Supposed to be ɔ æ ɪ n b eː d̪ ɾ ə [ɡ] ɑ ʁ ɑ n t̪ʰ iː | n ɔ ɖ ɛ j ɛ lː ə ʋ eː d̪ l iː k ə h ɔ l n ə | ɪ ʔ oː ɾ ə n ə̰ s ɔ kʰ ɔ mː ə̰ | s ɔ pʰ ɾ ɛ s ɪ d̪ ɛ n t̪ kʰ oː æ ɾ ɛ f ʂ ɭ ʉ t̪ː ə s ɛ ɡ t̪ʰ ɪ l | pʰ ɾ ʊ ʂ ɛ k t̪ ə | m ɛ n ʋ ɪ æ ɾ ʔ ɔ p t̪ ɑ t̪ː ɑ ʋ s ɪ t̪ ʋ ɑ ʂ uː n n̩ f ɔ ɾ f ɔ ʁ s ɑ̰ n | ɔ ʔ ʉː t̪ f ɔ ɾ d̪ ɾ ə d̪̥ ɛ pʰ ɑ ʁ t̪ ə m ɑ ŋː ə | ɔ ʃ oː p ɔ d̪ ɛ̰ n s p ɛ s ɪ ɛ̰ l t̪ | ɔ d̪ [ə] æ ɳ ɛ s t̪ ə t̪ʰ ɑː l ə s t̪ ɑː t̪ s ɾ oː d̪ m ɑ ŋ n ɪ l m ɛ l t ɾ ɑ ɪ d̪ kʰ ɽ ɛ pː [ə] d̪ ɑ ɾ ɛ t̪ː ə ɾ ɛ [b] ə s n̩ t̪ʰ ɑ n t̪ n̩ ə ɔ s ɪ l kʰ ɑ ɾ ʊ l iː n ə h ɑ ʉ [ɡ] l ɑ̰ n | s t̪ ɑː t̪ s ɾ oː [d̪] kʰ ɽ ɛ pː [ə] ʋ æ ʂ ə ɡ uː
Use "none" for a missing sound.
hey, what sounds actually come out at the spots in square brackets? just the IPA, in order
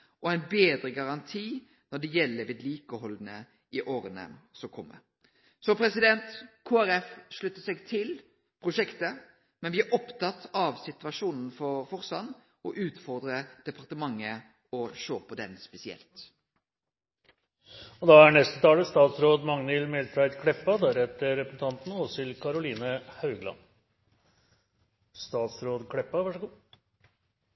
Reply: ɡ, ɑ, ɑ, p, ɡ, d̪, ɑ

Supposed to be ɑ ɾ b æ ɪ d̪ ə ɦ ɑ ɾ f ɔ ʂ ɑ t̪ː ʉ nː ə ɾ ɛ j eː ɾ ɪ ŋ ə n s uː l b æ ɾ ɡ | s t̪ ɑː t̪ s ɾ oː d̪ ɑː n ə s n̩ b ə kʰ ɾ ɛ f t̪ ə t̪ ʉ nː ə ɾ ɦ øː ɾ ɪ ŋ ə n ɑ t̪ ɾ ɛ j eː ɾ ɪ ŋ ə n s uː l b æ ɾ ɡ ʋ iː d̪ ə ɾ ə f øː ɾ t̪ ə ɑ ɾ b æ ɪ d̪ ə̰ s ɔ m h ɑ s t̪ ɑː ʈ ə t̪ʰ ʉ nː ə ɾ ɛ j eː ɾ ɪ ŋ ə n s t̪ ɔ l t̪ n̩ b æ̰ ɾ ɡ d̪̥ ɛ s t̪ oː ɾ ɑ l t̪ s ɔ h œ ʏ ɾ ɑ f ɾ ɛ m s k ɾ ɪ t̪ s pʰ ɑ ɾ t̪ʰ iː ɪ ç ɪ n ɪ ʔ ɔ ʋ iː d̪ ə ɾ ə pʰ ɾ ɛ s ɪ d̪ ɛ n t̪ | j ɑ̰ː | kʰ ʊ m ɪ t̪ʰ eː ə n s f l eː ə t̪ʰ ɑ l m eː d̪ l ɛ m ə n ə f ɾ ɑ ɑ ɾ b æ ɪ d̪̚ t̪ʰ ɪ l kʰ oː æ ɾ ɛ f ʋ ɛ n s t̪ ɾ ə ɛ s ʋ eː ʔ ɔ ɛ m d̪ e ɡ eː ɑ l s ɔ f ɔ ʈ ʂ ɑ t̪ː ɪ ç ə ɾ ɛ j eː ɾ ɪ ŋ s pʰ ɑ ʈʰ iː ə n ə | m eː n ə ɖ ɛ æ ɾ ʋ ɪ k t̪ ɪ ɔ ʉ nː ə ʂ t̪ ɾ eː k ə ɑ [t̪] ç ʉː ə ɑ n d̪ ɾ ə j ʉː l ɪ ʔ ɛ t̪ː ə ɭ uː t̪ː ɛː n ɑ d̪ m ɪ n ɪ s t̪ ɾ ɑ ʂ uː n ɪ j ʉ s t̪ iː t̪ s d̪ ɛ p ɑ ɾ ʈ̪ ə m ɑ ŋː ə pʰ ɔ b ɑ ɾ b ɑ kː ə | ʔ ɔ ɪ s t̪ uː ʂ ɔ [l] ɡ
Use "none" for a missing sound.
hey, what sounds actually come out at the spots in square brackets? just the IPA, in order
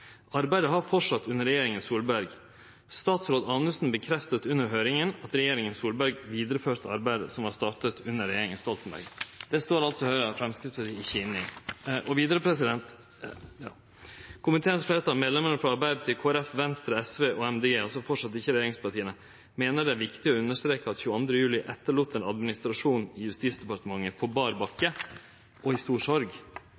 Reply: t̪, ɾ

